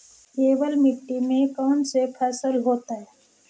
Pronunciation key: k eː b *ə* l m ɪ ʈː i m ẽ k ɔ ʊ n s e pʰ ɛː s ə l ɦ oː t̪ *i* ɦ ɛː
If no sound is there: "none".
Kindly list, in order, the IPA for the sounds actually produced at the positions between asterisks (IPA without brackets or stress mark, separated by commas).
ə, a